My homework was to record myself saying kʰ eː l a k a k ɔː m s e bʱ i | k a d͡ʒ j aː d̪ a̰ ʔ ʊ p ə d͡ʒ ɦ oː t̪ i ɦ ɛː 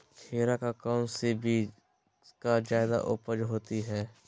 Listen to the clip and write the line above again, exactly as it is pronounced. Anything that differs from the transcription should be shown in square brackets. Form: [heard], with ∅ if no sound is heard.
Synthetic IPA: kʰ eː [ɾ] a k a k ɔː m s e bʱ i | k a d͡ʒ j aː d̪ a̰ ʔ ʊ p ə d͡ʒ ɦ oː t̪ i ɦ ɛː